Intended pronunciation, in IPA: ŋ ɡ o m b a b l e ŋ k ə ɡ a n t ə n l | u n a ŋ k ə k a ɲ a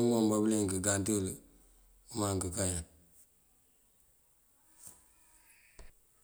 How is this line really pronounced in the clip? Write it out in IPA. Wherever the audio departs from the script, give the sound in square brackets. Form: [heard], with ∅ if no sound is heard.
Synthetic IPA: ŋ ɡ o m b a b l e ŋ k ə ɡ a n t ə [∅] l | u [m] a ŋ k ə k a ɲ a